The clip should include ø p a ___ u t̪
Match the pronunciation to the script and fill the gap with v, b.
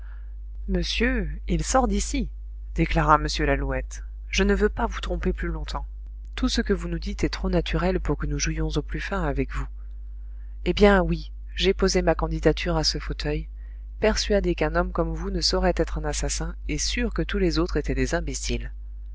v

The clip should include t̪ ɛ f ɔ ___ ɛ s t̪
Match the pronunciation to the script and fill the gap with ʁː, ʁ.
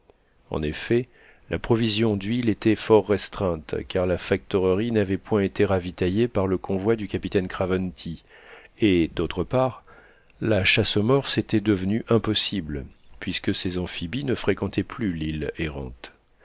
ʁː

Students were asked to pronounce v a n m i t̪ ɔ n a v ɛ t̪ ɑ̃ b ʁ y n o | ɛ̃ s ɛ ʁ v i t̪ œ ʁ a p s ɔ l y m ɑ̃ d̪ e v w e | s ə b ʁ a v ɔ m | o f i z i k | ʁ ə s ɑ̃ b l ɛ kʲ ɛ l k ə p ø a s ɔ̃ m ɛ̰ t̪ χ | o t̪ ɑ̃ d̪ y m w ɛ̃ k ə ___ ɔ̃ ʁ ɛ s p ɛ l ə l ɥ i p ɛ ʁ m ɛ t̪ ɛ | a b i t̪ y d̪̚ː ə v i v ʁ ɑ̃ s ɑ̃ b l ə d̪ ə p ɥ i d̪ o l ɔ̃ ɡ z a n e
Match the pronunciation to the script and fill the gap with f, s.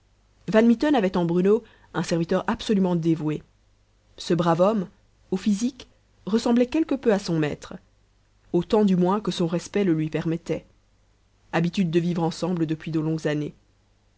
s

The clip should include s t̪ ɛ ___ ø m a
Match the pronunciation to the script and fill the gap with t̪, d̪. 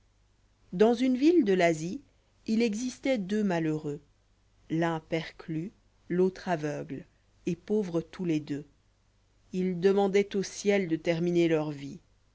d̪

